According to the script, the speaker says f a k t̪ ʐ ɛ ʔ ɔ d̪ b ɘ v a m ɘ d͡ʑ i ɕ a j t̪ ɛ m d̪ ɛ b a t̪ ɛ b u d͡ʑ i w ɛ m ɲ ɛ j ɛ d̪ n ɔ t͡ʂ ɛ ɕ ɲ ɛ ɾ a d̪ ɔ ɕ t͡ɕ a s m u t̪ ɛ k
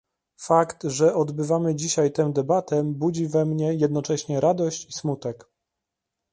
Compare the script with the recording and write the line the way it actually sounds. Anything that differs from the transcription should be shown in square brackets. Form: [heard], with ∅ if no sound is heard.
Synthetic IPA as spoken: f a k t̪ ʐ ɛ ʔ ɔ d̪ b ɘ v a m ɘ d͡ʑ i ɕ a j t̪ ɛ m d̪ ɛ b a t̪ ɛ b u d͡ʑ i [v] ɛ m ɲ ɛ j ɛ d̪ n ɔ t͡ʂ ɛ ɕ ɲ ɛ ɾ a d̪ ɔ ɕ t͡ɕ [i] s m u t̪ ɛ k